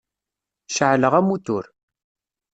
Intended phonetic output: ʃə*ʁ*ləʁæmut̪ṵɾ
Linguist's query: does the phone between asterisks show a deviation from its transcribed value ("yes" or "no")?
yes